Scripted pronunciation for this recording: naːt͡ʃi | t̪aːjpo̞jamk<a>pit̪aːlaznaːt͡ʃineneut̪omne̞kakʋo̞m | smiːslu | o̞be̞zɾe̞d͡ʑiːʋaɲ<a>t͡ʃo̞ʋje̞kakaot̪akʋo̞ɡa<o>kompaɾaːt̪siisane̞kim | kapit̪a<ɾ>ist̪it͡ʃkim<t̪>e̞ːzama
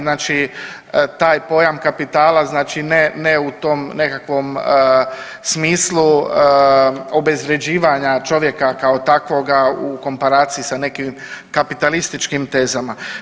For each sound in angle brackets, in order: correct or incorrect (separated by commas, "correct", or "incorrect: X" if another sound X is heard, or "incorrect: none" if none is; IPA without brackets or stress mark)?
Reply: correct, correct, incorrect: u, incorrect: l, correct